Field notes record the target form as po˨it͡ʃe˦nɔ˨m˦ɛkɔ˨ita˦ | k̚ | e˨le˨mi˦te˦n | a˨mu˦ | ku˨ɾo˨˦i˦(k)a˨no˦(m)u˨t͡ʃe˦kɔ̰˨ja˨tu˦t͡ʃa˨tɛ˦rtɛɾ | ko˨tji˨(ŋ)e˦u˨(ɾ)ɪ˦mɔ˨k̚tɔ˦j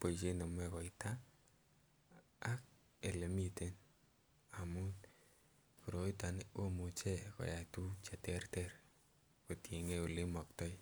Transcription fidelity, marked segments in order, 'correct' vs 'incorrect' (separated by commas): incorrect, correct, correct, incorrect